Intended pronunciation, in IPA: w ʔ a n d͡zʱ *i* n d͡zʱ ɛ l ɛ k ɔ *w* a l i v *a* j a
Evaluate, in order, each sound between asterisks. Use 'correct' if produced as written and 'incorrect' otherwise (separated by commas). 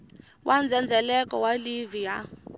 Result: incorrect, correct, incorrect